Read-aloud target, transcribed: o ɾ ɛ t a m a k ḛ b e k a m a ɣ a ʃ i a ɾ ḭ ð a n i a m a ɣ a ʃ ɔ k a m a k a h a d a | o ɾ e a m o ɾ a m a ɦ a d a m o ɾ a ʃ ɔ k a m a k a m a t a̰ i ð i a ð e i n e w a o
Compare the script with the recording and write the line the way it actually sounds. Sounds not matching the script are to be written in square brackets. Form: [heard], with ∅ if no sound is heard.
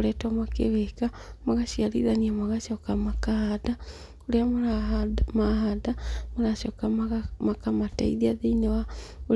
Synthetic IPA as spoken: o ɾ ɛ t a m a k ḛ [β] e k a m a ɣ a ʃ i a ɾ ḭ ð a n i a m a ɣ a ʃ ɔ k a m a k a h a d a | o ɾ e a m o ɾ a m a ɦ a d a m o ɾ a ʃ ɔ k a m a k a m a t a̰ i ð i a ð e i n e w a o